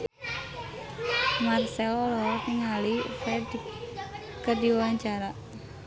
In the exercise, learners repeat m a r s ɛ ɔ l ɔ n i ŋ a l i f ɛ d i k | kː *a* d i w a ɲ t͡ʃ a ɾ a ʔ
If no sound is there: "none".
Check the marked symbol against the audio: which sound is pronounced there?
ə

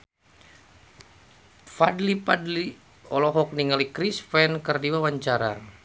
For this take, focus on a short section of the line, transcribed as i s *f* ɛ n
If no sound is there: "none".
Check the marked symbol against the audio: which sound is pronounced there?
f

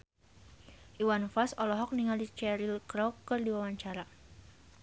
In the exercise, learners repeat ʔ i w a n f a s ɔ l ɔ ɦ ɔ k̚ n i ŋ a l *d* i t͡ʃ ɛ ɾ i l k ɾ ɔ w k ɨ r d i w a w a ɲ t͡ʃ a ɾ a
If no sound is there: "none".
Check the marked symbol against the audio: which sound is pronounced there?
d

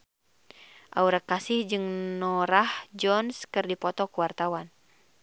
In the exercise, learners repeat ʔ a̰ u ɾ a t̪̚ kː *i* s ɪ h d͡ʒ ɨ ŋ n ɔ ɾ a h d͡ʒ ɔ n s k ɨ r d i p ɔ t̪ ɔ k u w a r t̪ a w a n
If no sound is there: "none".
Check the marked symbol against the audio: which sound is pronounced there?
a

